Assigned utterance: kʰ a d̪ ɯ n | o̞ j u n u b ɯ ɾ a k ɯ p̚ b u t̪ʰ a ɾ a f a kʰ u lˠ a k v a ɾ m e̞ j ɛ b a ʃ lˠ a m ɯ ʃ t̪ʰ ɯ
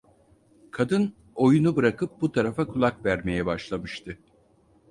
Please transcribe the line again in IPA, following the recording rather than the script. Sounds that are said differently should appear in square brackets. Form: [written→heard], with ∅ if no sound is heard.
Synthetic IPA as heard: kʰ a d̪ ɯ n | o̞ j u n u b ɯ ɾ a k ɯ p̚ b u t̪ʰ a ɾ a f a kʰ u lˠ a k v [a→æ] ɾ m e̞ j ɛ b a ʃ lˠ a m ɯ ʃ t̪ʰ ɯ